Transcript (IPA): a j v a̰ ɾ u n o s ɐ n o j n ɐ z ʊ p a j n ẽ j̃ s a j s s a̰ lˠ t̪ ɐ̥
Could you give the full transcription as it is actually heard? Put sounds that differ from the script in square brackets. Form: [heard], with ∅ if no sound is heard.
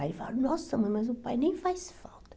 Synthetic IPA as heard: a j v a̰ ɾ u n [ɔ] s ɐ [m] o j [m] ɐ z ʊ p a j n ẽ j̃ [f] a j s [f] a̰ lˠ t̪ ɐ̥